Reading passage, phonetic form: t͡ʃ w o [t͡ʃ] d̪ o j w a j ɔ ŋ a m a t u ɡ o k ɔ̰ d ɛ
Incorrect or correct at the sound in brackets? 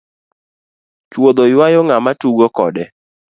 incorrect: none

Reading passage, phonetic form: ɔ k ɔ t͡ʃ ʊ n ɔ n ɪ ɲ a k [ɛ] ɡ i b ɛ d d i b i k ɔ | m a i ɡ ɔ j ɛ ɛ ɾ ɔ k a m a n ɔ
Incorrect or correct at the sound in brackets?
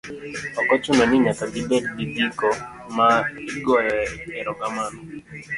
incorrect: a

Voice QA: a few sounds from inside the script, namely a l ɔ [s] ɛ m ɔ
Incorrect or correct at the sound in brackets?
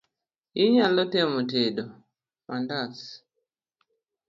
incorrect: t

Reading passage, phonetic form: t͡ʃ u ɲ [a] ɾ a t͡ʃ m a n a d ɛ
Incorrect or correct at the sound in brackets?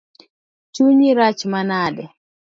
incorrect: i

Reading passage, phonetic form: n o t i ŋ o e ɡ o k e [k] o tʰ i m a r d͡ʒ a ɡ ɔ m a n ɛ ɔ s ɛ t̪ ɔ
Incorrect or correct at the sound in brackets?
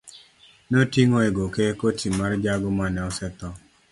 correct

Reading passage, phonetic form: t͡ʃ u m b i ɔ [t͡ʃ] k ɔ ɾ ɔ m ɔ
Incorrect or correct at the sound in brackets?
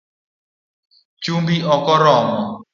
incorrect: none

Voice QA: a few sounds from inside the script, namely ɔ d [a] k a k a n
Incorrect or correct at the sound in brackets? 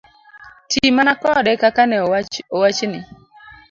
incorrect: ɛ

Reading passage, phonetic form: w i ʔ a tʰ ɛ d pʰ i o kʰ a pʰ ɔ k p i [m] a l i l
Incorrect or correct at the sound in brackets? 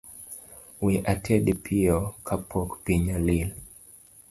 incorrect: ɲ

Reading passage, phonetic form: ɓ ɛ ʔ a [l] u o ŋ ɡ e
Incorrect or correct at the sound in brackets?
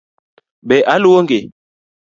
correct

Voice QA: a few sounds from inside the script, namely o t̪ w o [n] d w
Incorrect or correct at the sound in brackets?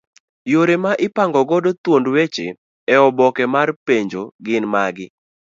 correct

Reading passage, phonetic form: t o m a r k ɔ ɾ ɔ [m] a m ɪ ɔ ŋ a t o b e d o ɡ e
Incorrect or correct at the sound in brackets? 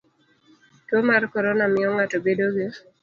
incorrect: n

